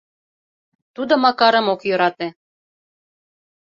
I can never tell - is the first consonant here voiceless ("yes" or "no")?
yes